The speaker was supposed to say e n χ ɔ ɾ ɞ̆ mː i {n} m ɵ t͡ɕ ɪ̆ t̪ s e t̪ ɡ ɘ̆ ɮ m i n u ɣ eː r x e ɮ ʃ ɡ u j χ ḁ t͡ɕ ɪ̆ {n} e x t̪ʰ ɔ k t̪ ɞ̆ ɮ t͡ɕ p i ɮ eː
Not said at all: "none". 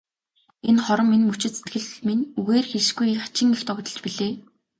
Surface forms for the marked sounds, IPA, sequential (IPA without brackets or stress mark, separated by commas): n, ŋ